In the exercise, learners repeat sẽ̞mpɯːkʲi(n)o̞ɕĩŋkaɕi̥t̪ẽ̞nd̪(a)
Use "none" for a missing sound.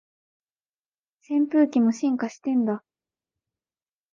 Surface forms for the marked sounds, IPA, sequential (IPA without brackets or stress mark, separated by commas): m, a